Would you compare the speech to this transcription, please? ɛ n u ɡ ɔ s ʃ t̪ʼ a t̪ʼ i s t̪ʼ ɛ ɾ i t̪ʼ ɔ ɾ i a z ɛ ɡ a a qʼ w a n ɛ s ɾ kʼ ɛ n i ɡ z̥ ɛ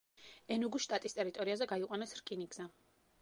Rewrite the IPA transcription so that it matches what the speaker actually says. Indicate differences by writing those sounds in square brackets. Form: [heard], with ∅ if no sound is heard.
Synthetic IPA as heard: ɛ n u ɡ [u] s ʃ t̪ʼ a t̪ʼ i s t̪ʼ ɛ ɾ i t̪ʼ ɔ ɾ i a z ɛ ɡ a [i] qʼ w a n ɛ s ɾ kʼ [i] n i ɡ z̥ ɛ

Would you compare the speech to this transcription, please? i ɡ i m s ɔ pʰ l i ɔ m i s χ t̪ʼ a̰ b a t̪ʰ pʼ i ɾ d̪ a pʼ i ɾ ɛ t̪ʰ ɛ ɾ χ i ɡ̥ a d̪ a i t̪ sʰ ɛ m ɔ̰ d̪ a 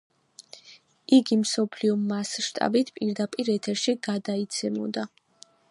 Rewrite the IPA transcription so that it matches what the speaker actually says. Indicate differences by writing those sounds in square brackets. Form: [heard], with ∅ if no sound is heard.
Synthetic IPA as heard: i ɡ i m s ɔ pʰ l i ɔ m [a] s [ʃ] t̪ʼ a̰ b [i] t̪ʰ pʼ i ɾ d̪ a pʼ i ɾ ɛ t̪ʰ ɛ ɾ [ʃ] i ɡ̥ a d̪ a i t̪ sʰ ɛ m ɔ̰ d̪ a

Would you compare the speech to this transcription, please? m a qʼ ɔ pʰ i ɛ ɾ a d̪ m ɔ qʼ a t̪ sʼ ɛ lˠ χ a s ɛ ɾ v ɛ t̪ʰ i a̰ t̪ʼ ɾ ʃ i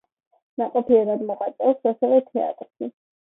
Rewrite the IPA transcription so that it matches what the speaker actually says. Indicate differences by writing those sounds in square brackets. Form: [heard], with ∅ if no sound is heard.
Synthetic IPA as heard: [n] a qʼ ɔ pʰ i ɛ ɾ a d̪ m ɔ qʼ a t̪ sʼ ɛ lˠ [s] a s ɛ [∅] v ɛ t̪ʰ [ɛ] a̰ t̪ʼ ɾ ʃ i

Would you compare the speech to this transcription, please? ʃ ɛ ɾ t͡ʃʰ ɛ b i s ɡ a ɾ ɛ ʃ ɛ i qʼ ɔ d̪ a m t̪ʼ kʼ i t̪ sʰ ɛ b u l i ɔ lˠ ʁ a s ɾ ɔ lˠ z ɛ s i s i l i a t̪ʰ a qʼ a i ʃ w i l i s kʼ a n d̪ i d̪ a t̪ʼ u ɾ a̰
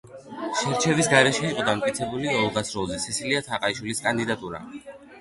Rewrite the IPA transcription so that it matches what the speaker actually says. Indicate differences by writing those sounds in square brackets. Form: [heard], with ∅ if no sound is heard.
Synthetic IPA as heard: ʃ ɛ ɾ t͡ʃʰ ɛ [v] i s ɡ a ɾ ɛ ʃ ɛ i qʼ ɔ d̪ a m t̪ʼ kʼ i t̪ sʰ ɛ b u l i ɔ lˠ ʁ a s ɾ ɔ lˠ z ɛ s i s i l i a t̪ʰ a qʼ a i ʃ w i l i s kʼ a n d̪ i d̪ a t̪ʼ u ɾ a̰

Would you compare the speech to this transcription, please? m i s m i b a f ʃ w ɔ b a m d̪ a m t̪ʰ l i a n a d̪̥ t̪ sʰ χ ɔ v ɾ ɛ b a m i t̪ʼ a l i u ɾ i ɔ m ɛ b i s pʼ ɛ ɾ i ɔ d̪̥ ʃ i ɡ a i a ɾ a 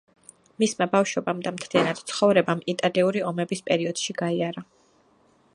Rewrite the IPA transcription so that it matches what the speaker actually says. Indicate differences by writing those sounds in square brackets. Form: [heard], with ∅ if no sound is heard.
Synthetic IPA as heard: m i s m [a] b a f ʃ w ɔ b a m d̪ a m t̪ʰ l i a n a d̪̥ t̪ sʰ χ ɔ v ɾ ɛ b a m i t̪ʼ a l i u ɾ i ɔ m ɛ b i s pʼ ɛ ɾ i ɔ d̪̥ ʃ i ɡ a i a ɾ a

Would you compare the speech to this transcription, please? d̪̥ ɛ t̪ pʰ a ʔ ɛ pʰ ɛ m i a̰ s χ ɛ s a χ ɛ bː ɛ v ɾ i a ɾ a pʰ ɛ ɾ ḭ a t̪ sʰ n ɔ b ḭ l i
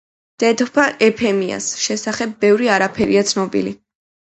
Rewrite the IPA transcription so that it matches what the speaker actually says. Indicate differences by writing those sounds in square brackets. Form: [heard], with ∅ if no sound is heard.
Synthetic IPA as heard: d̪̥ ɛ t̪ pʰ a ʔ ɛ pʰ ɛ m i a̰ s [ʃ] ɛ s a χ ɛ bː ɛ v ɾ i a ɾ a pʰ ɛ ɾ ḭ a t̪ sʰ n ɔ b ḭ l i

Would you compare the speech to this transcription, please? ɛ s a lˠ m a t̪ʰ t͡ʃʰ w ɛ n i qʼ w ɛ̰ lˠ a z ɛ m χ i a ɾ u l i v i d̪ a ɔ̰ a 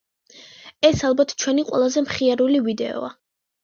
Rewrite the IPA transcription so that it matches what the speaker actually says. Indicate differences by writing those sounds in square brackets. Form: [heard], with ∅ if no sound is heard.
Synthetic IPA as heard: ɛ s a lˠ [b] a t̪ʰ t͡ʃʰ w ɛ n i qʼ w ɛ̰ lˠ a z ɛ m χ i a ɾ u l i v i d̪ [ɛ] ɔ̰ a

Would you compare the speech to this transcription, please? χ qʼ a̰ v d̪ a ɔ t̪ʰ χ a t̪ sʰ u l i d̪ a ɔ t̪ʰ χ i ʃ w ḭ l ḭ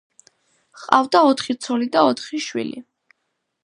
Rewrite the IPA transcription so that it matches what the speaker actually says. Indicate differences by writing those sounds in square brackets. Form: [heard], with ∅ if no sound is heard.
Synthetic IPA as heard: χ qʼ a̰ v d̪ a ɔ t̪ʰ χ [i] t̪ sʰ [ɔ] l i d̪ a ɔ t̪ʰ χ i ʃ w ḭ l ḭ

